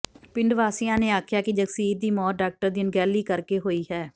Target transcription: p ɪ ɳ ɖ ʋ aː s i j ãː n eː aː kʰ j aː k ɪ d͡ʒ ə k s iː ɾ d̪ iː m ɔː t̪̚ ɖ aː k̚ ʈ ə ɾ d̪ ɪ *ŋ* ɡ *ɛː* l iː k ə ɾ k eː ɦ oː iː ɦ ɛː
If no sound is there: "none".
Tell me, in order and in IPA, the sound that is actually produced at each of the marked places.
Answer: n, ɛː

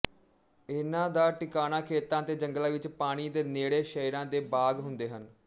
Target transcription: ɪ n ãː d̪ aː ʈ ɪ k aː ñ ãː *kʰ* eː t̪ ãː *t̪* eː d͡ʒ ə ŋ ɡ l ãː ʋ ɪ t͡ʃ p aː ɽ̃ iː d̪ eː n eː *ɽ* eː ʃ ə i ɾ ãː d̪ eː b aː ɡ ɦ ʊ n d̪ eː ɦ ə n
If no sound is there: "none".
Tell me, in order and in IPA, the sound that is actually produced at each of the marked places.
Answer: kʰ, t̪, ɽ

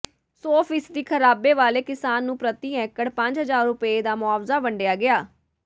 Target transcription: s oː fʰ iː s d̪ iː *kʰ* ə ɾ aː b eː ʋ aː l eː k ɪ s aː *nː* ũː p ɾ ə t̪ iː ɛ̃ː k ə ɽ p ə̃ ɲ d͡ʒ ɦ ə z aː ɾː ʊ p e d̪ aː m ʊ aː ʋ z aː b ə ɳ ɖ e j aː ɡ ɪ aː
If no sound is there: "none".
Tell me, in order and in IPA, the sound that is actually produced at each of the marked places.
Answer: kʰ, nː

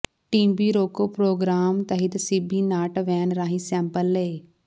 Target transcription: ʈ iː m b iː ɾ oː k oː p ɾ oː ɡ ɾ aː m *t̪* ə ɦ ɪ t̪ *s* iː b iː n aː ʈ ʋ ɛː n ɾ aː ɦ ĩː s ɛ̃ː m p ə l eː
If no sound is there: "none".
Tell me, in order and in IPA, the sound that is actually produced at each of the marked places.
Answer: t̪, s

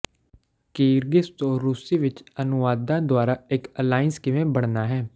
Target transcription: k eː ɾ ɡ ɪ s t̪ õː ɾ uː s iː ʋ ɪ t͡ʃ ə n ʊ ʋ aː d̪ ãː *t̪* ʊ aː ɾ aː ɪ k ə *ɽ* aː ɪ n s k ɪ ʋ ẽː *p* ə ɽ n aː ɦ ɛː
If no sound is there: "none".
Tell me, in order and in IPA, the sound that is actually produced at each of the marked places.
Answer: d̪, l, b

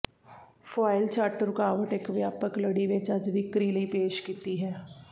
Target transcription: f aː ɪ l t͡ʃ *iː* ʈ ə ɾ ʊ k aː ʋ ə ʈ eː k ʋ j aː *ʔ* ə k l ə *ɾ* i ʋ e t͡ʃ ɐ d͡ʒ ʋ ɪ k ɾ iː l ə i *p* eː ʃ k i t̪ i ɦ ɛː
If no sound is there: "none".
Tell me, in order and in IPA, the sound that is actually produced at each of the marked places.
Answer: aː, p, ɽ, p

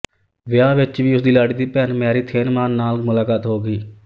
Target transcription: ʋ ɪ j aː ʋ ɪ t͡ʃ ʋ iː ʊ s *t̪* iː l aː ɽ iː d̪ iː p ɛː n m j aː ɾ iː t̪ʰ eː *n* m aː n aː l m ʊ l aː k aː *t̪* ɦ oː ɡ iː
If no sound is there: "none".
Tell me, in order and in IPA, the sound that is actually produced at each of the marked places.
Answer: d̪, n, t̪

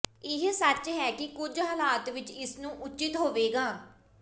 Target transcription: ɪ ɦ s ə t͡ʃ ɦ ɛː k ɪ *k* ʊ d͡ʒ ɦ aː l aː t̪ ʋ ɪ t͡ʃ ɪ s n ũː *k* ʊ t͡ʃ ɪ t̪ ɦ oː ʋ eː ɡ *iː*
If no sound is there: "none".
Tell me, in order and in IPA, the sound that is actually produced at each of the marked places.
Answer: k, ʔ, aː

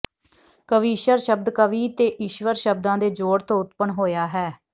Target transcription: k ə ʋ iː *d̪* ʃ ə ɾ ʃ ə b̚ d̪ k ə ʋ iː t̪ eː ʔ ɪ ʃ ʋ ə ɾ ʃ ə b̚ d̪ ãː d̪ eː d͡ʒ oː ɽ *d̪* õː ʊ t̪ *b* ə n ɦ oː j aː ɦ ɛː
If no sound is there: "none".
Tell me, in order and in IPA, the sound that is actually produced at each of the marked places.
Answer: none, t̪, p

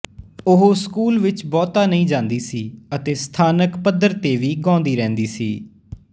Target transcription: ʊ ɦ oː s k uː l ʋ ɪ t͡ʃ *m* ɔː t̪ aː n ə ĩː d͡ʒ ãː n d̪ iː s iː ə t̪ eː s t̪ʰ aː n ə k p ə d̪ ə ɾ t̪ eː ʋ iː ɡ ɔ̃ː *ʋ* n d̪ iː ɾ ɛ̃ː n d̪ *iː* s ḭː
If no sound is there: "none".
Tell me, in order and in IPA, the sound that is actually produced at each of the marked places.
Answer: b, none, iː

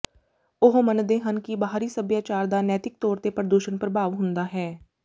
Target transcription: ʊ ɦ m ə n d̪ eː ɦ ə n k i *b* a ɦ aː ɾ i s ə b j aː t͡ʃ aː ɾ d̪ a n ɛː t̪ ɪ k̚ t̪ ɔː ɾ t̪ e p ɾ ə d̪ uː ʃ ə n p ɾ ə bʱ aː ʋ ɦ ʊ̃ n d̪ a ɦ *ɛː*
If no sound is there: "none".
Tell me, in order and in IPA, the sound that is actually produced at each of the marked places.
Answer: b, ɛː

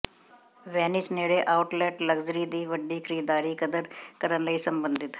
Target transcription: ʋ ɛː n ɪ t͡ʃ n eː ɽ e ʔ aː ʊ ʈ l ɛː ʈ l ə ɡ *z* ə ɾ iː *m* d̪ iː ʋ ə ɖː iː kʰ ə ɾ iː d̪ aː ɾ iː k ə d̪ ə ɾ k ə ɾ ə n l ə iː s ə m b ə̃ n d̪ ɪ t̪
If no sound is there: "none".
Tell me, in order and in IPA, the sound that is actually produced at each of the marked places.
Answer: z, none

